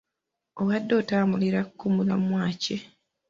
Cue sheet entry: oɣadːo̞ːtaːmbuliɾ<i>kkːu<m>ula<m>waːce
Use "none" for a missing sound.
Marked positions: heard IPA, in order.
a, m, m

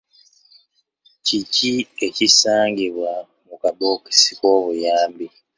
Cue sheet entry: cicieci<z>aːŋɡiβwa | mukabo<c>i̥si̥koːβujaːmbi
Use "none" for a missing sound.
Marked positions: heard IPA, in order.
s, k

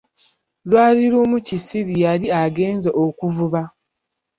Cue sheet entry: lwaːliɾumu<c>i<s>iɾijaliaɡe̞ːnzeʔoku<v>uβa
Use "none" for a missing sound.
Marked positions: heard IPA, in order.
c, s, v

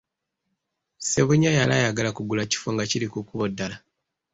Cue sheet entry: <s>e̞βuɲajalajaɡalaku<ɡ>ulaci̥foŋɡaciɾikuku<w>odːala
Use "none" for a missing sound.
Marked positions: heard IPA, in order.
s, ɡ, β

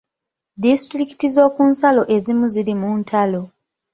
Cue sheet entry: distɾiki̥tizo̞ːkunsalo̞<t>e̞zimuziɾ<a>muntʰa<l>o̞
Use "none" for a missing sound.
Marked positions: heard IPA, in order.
ʔ, i, l

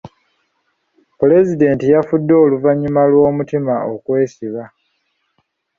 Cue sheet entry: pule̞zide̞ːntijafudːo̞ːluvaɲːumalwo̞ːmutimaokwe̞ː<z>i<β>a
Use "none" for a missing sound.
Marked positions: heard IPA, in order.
s, β

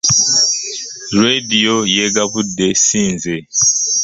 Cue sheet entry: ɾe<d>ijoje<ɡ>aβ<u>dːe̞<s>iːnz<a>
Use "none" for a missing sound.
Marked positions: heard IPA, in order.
d, ɡ, u, s, e

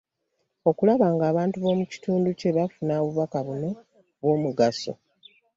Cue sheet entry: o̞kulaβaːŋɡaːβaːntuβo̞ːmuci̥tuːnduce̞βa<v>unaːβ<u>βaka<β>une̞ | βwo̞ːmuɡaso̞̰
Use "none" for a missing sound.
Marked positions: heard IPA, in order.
f, u, β

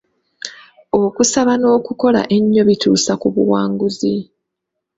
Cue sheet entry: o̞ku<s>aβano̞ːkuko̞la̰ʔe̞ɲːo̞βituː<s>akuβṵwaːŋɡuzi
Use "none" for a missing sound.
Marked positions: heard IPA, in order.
s, s

